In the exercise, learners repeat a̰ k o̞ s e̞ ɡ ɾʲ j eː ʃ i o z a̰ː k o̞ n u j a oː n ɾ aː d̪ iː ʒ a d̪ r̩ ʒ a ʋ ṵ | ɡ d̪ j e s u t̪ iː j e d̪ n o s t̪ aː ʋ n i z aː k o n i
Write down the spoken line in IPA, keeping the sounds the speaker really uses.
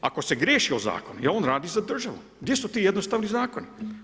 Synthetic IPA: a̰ k o̞ s e̞ ɡ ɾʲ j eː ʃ i o z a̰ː k o̞ n u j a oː n ɾ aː d̪ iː z a d̪ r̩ ʒ a ʋ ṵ | ɡ d̪ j e s u t̪ iː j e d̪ n o s t̪ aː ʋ n i z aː k o n i